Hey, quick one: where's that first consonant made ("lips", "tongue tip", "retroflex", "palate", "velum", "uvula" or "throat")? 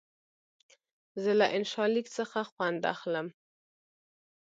tongue tip